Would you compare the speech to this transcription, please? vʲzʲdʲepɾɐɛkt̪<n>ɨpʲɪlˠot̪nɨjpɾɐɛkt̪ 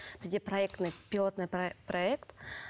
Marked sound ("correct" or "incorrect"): correct